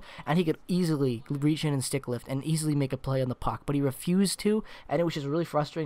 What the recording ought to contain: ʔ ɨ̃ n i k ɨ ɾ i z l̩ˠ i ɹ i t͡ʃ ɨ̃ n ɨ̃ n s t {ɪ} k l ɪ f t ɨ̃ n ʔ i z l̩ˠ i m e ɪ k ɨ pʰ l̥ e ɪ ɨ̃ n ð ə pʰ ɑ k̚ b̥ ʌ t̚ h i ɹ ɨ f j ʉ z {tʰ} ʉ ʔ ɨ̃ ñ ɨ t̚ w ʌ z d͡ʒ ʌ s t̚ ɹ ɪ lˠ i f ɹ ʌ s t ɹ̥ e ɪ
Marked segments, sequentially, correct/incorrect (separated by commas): correct, correct